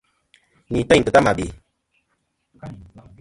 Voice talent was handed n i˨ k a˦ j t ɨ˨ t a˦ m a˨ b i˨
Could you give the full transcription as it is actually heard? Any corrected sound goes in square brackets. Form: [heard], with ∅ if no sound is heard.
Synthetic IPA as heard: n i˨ [t] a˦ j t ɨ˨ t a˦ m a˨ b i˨